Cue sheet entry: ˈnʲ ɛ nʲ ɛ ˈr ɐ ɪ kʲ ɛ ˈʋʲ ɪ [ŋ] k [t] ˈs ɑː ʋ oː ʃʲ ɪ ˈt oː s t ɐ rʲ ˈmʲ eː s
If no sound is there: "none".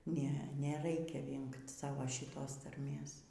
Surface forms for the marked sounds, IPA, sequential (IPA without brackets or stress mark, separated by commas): ŋ, t